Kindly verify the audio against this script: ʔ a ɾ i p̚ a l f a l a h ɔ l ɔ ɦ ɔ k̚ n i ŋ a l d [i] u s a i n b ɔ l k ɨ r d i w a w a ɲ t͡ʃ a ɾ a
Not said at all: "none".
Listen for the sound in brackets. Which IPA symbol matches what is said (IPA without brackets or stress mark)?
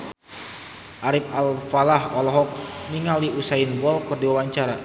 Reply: i